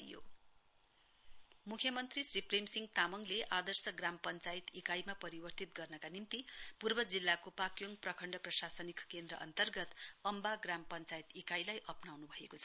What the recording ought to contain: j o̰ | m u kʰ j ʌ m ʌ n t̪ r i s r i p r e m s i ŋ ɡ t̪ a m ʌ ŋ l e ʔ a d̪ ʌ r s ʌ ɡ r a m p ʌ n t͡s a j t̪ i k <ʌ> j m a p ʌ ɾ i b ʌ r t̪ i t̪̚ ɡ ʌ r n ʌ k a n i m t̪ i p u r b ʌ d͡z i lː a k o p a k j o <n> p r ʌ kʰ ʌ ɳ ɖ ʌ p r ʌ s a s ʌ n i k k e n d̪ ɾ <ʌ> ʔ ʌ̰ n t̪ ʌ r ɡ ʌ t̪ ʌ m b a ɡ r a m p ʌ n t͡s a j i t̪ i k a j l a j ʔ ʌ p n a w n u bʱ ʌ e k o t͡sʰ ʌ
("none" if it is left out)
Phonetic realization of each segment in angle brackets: a, ŋ, ʌ

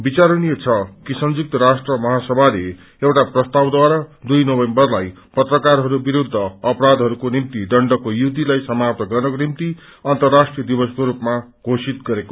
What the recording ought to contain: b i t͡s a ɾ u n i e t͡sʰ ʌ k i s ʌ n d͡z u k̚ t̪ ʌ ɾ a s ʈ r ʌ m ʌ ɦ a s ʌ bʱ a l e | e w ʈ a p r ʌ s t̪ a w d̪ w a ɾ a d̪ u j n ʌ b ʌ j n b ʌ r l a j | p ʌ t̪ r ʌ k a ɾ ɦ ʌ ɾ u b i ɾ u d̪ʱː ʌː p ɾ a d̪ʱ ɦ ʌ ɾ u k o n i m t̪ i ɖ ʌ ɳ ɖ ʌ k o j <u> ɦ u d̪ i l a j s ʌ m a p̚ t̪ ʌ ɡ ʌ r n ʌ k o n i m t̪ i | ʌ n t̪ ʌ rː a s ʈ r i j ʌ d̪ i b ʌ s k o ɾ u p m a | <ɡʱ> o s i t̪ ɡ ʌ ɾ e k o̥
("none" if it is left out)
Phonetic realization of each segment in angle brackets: u, ɡʱ

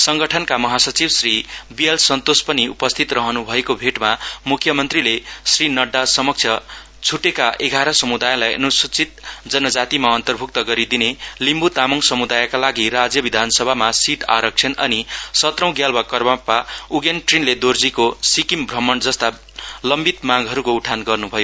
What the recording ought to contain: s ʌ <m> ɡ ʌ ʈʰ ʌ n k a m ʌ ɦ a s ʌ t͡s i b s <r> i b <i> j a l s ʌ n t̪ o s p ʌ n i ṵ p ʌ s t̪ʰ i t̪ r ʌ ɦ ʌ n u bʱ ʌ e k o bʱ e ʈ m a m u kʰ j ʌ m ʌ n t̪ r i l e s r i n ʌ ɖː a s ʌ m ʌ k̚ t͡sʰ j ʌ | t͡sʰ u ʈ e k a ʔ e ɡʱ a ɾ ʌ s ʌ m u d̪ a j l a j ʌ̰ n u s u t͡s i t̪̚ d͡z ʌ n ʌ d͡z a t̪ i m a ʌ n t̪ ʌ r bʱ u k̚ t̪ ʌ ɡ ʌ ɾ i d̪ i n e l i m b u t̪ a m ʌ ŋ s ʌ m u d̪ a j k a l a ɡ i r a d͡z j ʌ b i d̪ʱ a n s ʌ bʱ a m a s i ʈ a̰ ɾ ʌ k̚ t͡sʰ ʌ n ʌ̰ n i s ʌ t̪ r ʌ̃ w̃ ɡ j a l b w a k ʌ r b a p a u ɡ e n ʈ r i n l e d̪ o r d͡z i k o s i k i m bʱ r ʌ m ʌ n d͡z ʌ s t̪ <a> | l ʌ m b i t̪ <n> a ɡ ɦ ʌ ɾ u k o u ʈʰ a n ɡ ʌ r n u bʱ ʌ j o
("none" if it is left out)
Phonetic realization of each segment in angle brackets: ŋ, r, i, a, m

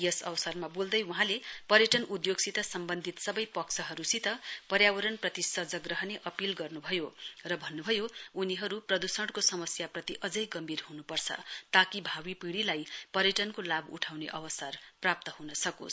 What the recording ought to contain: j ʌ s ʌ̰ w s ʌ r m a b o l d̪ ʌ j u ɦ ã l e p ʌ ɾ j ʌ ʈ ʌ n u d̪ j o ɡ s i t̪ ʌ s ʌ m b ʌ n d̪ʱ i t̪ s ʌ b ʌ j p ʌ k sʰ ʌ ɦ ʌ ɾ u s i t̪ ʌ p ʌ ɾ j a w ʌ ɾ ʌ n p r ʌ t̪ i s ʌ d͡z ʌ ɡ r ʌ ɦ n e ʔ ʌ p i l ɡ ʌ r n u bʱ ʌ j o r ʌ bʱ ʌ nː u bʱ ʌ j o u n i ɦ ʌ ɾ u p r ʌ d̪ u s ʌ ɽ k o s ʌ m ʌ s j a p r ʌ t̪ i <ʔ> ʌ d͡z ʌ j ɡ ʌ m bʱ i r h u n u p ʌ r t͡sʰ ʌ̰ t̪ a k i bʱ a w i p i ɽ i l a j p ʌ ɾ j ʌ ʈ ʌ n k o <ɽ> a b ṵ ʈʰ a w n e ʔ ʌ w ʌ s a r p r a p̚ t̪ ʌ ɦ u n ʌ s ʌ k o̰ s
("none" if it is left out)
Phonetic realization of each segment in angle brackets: ʔ, l

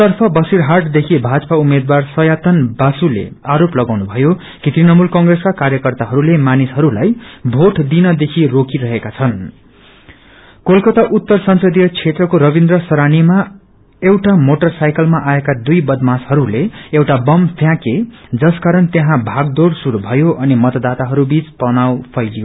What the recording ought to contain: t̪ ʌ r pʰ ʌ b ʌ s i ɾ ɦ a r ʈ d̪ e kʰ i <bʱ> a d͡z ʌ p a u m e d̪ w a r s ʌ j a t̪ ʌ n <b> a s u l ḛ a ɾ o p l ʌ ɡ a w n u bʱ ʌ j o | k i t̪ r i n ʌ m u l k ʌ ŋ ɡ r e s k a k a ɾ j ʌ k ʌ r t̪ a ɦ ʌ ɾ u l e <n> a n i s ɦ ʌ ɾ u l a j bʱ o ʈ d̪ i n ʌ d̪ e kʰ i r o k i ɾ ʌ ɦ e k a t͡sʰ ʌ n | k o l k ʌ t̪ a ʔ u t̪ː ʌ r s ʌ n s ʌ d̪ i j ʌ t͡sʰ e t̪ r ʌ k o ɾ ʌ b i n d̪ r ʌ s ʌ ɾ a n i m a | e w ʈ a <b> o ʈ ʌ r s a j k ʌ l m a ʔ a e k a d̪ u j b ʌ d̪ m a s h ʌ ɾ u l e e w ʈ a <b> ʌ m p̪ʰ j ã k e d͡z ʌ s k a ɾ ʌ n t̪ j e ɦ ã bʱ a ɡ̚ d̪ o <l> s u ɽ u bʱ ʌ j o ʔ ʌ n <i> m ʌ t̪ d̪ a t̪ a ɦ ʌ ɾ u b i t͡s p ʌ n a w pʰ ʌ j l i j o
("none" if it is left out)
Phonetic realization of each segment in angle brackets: bʱ, b, m, m, b, ɽ, i

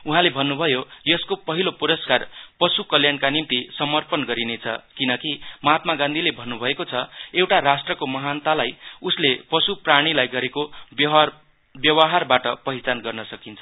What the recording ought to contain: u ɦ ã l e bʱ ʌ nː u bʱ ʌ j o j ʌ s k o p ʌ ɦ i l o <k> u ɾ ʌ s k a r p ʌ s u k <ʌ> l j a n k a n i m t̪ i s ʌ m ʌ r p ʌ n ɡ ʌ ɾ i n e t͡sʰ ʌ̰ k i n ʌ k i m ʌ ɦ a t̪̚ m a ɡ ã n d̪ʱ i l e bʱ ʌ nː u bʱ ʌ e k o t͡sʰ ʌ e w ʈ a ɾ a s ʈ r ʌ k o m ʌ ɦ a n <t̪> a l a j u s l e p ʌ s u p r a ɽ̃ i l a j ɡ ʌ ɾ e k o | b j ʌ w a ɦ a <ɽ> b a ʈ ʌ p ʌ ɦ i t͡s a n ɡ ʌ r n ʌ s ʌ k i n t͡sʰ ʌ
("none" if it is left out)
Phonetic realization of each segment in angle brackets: p, ʌ, t̪, r

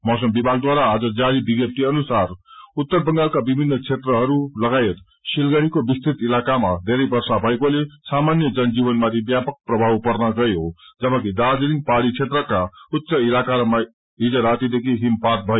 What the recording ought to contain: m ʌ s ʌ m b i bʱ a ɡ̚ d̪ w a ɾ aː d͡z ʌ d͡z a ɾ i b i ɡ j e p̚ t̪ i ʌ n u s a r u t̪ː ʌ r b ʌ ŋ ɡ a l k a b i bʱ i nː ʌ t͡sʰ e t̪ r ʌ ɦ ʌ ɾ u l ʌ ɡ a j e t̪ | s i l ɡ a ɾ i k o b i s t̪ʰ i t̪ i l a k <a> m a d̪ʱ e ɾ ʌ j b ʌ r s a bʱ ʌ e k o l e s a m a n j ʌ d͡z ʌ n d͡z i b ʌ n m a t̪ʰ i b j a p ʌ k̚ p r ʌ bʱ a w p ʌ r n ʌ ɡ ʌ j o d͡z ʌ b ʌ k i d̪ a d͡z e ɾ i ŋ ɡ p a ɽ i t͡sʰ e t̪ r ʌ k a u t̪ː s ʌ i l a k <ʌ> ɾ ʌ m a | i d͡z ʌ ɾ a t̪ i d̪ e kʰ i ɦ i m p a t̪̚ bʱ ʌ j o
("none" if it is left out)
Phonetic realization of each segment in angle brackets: a, a

